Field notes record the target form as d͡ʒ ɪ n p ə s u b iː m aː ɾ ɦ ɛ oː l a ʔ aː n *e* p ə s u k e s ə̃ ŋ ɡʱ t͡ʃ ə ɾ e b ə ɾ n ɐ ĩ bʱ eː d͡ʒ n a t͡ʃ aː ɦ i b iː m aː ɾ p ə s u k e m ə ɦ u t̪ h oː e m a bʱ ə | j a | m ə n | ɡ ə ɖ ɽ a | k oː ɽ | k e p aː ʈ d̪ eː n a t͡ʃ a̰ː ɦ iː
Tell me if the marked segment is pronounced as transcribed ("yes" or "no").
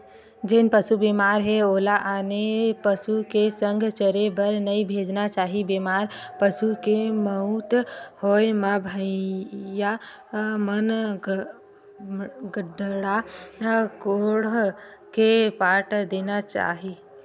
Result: yes